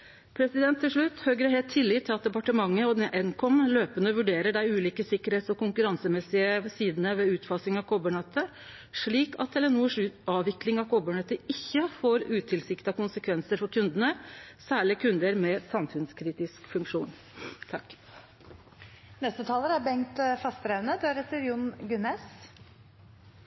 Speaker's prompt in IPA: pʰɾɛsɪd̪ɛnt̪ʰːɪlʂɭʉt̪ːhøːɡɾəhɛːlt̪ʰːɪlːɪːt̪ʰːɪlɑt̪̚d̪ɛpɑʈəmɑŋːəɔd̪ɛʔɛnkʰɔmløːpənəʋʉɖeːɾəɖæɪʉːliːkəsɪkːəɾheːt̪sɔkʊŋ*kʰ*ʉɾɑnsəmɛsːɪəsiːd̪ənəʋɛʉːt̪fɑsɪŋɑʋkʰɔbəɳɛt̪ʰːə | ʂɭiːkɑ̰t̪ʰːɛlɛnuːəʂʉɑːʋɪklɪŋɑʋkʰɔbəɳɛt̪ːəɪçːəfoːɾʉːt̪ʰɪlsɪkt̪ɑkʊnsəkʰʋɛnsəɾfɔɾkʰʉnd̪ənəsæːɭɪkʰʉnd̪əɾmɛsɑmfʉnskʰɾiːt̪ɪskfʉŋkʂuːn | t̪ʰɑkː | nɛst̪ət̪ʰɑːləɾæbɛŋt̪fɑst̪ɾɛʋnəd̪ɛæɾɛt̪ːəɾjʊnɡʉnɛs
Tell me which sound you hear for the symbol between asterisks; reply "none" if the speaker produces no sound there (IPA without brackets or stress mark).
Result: k